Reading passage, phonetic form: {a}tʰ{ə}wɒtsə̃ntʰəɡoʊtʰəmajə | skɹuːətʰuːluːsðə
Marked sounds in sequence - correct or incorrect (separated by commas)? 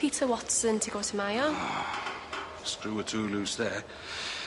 incorrect, correct